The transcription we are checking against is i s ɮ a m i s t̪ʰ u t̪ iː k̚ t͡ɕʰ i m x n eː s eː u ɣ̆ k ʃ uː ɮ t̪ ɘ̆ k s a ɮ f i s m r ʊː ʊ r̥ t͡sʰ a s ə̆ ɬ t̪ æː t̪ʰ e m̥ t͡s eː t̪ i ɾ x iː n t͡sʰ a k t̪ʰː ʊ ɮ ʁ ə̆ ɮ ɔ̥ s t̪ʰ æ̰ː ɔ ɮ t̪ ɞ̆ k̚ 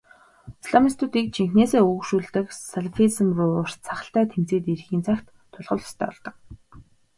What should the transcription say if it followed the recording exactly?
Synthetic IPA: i s ɮ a m i s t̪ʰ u t̪ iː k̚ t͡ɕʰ i ŋ x n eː s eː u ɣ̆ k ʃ uː ɮ t̪ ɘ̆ k s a ɮ f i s m r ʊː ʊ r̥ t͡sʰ a χ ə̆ ɬ t̪ æː t̪ʰ e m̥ t͡s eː t̪ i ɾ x iː n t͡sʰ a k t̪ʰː ʊ ɮ ʁ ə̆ ɮ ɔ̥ s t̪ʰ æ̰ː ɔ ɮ t̪ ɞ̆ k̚